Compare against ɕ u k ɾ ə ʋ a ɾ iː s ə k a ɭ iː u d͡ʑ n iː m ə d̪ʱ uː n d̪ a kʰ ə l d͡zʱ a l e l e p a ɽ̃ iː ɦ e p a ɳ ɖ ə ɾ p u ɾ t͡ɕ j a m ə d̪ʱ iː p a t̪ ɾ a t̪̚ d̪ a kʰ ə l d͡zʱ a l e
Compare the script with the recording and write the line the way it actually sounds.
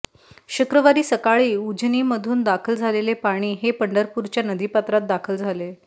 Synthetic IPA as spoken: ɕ u k ɾ ə ʋ a ɾ iː s ə k a ɭ iː u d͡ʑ n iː m ə d̪ʱ uː n d̪ a kʰ ə l d͡zʱ a l e l e p a ɽ̃ iː ɦ e p ə ɳ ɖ ə ɾ p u ɾ t͡ɕ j a n ə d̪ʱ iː p a t̪ ɾ a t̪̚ d̪ a kʰ ə l d͡zʱ a l e